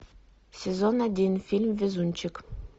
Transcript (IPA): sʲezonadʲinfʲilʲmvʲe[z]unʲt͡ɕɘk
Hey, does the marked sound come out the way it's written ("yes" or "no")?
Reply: yes